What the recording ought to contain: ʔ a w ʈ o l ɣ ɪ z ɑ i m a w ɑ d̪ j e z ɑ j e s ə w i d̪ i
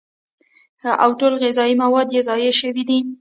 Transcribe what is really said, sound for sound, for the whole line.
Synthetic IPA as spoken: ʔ a w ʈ o l ɣ ɪ z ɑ i m a w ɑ d̪ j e z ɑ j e ʃ ə w i d̪ i